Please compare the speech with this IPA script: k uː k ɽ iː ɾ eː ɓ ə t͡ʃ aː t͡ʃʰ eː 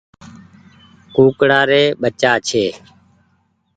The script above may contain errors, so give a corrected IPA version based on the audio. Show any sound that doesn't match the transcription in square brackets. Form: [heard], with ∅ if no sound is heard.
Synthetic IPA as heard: k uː k ɽ [aː] ɾ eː ɓ ə t͡ʃ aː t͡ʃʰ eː